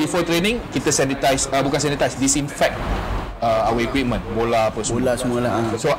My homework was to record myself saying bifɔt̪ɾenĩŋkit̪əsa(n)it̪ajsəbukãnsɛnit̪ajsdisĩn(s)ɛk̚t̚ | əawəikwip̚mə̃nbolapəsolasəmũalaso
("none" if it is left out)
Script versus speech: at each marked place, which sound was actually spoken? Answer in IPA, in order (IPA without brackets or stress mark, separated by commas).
n, f